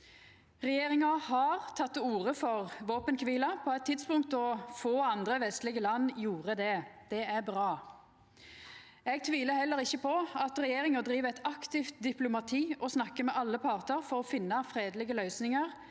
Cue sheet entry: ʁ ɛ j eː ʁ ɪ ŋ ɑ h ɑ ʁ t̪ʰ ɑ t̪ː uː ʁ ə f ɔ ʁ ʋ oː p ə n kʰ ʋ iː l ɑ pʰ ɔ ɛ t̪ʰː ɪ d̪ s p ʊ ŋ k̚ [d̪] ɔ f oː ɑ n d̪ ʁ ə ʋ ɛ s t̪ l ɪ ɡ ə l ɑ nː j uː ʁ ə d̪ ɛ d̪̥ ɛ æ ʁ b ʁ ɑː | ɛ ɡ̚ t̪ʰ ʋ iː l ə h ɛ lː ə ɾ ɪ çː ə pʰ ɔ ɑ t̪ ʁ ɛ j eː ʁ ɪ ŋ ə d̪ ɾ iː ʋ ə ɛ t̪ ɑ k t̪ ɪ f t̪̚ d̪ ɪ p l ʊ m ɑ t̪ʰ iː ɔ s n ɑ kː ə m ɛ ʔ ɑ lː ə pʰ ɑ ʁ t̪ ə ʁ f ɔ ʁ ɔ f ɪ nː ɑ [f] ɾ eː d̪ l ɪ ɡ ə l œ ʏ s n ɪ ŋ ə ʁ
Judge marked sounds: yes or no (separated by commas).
no, yes